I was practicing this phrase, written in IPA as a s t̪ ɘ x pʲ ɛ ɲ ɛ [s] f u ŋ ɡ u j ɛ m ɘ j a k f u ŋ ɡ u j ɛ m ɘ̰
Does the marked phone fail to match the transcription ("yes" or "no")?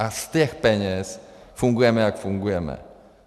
no